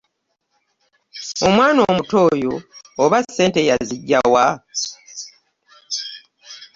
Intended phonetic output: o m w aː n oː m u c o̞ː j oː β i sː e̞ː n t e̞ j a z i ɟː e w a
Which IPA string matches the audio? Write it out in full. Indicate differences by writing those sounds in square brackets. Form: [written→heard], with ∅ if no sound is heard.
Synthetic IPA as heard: o m w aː n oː m u [c→t] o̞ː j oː β [i→a] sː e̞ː n t e̞ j a z i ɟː [e→a] w a